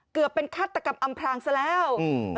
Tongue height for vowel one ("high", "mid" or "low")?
high